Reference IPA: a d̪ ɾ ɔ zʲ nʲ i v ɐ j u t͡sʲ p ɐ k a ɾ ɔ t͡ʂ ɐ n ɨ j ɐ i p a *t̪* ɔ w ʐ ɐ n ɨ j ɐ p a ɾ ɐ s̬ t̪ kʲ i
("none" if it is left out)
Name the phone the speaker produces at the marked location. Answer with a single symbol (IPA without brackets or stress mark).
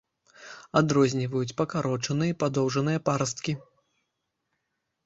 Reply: d̪